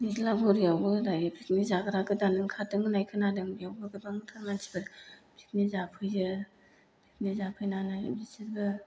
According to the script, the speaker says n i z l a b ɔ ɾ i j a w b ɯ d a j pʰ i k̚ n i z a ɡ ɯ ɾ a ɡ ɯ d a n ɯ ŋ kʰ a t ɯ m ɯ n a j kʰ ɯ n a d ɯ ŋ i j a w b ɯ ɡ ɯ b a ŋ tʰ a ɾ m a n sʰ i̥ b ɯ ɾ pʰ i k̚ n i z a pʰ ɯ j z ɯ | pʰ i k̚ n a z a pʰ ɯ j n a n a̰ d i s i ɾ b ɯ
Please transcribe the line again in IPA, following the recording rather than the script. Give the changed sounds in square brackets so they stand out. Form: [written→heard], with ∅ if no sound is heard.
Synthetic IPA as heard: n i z l a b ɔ ɾ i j a w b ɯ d a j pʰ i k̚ n i z a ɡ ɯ ɾ a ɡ ɯ d a n ɯ ŋ kʰ a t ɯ [m→ŋ] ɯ n a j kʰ ɯ n a d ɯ ŋ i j a w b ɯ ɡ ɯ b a ŋ tʰ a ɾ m a n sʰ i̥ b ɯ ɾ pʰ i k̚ n i z a pʰ ɯ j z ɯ | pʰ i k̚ n [a→i] z a pʰ ɯ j n a n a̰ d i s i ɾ b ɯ